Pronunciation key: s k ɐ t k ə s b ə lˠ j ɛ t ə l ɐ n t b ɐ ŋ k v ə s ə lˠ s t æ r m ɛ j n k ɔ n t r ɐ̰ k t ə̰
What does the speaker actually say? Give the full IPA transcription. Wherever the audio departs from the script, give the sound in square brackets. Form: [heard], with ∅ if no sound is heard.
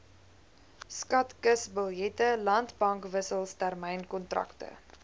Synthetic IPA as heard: s k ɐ t k ə s b ə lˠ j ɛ t ə l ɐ n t b ɐ ŋ k v ə s ə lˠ s t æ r m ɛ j n k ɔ n t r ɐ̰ k t ə̰